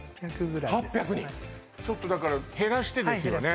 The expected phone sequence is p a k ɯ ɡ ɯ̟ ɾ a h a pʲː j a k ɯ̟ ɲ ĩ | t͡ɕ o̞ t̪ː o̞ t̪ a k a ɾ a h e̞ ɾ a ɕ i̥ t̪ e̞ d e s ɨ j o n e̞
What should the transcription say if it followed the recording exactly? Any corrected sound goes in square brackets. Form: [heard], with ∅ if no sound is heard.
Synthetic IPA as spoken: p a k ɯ ɡ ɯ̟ ɾ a h a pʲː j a k ɯ̟ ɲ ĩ | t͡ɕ o̞ t̪ː o̞ [d̪] a k a ɾ a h e̞ ɾ a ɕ i̥ t̪ e̞ d e s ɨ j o n e̞